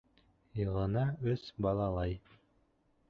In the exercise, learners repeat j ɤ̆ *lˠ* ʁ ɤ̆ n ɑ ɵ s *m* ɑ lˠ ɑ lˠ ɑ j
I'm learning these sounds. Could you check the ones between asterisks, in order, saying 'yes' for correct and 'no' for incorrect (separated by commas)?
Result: no, no